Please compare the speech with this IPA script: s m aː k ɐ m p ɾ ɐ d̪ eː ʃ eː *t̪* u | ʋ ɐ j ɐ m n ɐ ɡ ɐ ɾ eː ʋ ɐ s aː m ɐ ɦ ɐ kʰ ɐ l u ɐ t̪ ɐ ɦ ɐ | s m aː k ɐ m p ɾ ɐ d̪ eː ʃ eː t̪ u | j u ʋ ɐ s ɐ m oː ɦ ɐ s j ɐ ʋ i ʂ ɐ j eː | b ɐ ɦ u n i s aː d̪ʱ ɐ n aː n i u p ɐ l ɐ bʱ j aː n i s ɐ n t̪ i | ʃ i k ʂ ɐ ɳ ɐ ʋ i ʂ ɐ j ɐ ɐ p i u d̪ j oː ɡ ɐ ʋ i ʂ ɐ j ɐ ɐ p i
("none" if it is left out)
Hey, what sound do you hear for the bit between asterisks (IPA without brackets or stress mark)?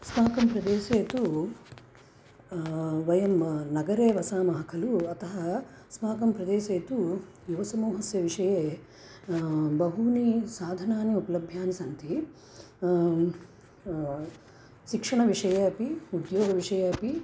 t̪